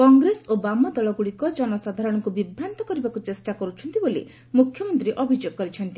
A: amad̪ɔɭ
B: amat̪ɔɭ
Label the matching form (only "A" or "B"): A